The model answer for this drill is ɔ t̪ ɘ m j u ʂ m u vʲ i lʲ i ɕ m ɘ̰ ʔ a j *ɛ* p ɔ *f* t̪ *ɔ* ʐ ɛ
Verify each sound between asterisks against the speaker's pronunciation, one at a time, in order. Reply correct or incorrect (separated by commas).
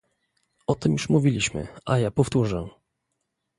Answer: incorrect, correct, incorrect